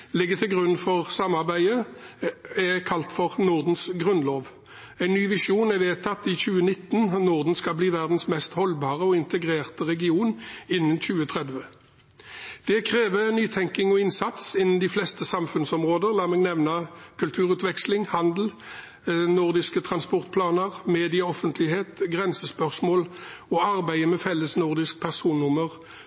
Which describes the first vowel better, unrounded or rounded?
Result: unrounded